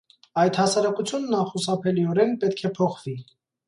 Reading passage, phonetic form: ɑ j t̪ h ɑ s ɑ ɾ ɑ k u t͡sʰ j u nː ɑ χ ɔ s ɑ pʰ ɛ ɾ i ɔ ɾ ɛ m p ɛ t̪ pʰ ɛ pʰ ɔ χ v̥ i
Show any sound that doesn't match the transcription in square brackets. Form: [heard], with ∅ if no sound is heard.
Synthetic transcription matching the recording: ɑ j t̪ h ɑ s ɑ ɾ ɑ k u t͡sʰ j u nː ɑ χ [u] s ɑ pʰ ɛ [l] i ɔ ɾ ɛ [n] p ɛ t̪ [kʰ] ɛ pʰ ɔ χ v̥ i